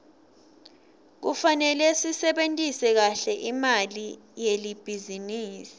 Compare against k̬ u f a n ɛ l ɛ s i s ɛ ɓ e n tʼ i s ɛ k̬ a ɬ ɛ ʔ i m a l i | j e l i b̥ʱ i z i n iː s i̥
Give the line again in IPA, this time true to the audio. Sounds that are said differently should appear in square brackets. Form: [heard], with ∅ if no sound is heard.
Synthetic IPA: k̬ u f a n ɛ l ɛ s i s ɛ ɓ e n tʼ i s ɛ k̬ a ɬ ɛ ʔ i m a l i | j e l i b̥ʱ i z i n iː s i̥